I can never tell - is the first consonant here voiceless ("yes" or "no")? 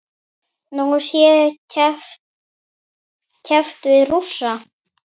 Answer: no